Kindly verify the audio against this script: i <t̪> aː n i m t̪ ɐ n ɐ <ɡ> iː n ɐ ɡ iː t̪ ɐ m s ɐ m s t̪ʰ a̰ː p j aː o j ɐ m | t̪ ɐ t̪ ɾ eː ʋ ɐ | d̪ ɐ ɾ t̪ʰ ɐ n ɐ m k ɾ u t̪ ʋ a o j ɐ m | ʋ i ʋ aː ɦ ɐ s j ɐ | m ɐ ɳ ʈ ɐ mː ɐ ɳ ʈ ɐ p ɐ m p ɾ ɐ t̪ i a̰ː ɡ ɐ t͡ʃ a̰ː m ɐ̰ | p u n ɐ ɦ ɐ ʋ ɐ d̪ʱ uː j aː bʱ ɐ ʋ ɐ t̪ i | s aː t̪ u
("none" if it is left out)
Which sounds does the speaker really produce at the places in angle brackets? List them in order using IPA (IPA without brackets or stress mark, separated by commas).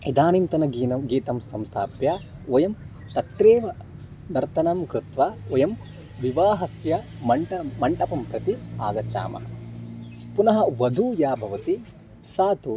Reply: d̪, ɡ